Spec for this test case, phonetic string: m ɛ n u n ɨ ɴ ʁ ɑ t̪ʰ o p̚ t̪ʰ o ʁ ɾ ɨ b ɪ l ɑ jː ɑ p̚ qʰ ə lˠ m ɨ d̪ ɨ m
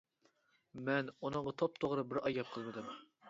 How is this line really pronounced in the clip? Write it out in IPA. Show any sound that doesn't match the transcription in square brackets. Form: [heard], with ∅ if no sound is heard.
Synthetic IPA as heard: m ɛ n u n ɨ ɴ ʁ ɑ t̪ʰ o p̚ t̪ʰ o ʁ ɾ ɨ b ɪ [ɾ] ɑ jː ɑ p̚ qʰ ə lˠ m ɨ d̪ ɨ m